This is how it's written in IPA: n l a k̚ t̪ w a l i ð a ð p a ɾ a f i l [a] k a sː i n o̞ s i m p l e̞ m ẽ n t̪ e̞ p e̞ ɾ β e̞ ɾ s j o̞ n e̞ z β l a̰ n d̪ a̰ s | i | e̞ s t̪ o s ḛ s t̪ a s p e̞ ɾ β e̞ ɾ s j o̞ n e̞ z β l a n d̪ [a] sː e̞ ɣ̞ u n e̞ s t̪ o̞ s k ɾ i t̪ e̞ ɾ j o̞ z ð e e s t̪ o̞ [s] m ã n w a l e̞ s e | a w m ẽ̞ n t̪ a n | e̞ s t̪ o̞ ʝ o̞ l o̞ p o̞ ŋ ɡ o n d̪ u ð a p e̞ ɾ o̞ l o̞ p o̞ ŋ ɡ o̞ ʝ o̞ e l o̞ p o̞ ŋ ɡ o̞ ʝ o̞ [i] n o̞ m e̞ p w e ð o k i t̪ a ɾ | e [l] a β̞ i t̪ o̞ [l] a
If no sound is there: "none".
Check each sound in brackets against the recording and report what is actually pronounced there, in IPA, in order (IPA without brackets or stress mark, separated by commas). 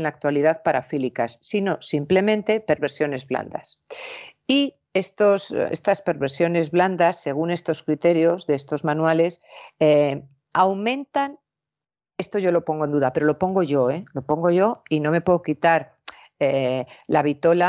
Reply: i, a, z, i, l, l